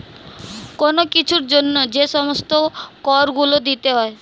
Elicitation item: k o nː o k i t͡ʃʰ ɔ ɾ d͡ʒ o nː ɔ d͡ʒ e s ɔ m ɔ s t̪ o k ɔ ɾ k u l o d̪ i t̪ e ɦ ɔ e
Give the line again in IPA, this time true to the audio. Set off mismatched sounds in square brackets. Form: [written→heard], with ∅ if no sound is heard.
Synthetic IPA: k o [nː→n] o k i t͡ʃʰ [ɔ→u] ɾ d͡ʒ o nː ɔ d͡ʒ e s ɔ m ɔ s t̪ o k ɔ ɾ [k→ɡ] u l o d̪ i t̪ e ɦ ɔ e